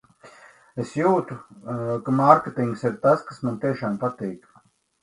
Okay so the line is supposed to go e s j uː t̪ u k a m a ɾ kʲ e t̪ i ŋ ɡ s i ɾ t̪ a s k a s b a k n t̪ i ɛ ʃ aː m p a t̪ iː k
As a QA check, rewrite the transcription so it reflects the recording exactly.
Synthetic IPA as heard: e s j uː t̪ u k a m a ɾ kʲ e t̪ i ŋ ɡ s i ɾ t̪ a s k a s m a n t̪ i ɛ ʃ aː m p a t̪ iː k